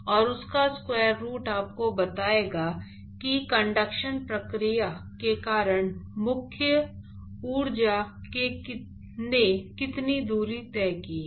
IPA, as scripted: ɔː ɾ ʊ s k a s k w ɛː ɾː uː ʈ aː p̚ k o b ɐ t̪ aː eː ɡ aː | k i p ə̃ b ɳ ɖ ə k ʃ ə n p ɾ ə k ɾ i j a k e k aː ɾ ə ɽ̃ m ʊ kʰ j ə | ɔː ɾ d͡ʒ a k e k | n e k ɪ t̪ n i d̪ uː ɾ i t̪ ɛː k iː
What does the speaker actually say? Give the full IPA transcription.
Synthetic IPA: ɔː ɾ ʊ s k a s k w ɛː ɾː uː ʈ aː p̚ k o b ɐ t̪ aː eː ɡ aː | k i k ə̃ ɳ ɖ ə k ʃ ə n p ɾ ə k ɾ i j a k e k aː ɾ ə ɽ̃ m ʊ kʰ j ə | uː ɾ d͡ʒ a k e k | n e k ɪ t̪ n i d̪ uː ɾ i t̪ ɛː k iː